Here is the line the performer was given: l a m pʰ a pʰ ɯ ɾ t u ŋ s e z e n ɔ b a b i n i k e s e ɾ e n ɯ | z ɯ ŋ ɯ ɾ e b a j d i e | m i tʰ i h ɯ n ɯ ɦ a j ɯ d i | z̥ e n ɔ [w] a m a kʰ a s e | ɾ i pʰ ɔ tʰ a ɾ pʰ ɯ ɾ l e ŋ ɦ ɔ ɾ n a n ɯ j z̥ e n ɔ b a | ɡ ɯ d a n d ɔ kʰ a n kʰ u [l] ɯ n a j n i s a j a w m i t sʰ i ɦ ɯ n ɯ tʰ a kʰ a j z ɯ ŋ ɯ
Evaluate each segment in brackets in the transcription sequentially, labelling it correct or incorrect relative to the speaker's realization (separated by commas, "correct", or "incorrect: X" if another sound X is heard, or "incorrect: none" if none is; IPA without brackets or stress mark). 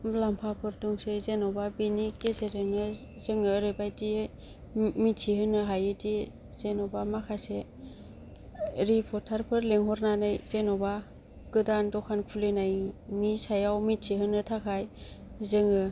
incorrect: b, correct